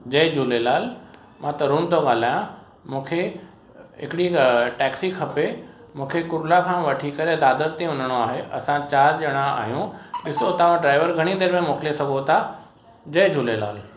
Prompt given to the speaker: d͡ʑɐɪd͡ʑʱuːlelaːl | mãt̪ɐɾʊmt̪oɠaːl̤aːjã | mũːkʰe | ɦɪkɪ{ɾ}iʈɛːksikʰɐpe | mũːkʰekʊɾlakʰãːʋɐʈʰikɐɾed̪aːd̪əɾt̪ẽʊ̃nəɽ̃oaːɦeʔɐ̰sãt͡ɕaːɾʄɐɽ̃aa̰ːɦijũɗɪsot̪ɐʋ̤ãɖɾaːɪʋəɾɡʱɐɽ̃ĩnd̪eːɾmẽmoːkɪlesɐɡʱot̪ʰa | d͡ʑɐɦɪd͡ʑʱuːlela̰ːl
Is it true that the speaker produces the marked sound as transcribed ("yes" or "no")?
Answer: no